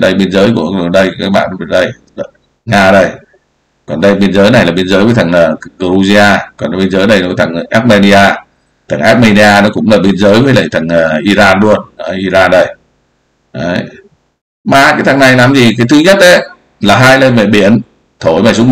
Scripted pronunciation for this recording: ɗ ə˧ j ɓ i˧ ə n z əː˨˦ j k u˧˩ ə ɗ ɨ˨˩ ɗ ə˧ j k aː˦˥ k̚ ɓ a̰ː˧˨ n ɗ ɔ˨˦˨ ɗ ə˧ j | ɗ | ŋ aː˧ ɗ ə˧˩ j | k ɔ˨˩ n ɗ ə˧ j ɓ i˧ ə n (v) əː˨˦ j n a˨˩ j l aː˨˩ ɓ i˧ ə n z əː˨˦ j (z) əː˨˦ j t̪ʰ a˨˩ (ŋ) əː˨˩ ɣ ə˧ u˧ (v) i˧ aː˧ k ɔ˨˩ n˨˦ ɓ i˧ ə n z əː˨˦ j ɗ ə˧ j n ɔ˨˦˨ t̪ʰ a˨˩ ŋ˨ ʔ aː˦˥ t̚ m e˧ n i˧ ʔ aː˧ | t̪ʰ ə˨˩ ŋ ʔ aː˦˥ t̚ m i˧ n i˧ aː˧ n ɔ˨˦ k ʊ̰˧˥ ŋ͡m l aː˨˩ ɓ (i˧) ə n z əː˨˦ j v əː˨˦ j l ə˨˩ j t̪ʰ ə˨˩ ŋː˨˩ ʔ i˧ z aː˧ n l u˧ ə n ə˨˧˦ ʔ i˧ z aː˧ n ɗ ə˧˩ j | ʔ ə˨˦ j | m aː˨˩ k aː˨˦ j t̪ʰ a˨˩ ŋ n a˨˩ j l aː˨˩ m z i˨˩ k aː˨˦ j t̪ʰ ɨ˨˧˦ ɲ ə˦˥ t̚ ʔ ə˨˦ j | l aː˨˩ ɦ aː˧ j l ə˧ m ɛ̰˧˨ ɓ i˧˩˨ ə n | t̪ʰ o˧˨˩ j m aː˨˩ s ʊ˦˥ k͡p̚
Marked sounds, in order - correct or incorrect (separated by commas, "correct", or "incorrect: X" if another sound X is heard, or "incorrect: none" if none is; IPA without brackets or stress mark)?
incorrect: z, incorrect: v, correct, incorrect: z, correct